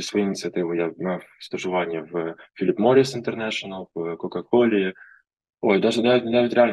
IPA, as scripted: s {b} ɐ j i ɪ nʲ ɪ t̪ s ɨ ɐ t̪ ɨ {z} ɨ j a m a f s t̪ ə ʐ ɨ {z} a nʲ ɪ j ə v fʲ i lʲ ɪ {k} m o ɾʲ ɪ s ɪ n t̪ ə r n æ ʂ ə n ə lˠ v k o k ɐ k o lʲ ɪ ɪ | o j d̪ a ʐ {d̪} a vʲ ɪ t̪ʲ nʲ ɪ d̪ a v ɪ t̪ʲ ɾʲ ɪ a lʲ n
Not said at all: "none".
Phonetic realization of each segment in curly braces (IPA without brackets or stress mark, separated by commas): v, v, v, p, d̪